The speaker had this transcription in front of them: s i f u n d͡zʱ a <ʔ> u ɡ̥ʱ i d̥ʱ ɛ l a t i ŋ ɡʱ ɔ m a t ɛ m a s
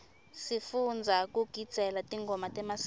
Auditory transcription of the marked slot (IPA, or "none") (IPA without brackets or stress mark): k